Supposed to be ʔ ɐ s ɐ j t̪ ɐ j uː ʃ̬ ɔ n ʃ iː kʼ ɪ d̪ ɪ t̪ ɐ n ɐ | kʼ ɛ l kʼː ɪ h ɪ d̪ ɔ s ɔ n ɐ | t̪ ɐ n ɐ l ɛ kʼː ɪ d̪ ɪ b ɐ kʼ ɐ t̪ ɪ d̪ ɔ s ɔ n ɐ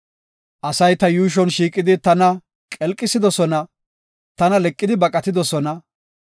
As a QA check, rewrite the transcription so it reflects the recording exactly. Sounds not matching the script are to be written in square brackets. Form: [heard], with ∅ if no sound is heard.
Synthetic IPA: ʔ ɐ s ɐ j t̪ ɐ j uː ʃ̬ ɔ n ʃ iː kʼ ɪ d̪ ɪ t̪ ɐ n ɐ | kʼ ɛ l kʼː ɪ [s] ɪ d̪ ɔ s ɔ n ɐ | t̪ ɐ n ɐ l ɛ kʼː ɪ d̪ ɪ b ɐ kʼ ɐ t̪ ɪ d̪ ɔ s ɔ n ɐ